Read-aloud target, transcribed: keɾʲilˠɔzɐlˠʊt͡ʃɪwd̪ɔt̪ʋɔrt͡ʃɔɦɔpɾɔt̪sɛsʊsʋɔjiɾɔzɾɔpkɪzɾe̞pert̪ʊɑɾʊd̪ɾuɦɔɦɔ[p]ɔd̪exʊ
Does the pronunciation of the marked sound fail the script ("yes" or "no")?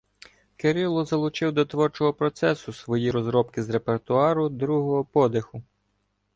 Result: no